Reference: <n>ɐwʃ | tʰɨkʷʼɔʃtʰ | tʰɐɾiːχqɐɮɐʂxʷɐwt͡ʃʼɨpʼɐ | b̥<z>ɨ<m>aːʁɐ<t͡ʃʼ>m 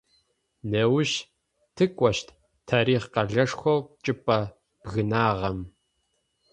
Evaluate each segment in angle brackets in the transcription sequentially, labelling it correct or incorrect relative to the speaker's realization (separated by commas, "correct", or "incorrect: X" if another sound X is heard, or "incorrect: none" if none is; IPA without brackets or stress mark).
correct, incorrect: ɣ, incorrect: n, incorrect: none